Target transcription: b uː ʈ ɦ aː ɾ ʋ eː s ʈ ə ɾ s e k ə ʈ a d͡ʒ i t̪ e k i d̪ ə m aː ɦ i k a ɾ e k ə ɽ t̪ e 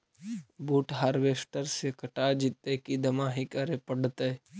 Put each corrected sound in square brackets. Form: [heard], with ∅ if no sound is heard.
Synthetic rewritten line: b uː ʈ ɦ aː ɾ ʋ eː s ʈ ə ɾ s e k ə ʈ a d͡ʒ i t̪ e k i d̪ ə m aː ɦ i k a ɾ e [p] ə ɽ t̪ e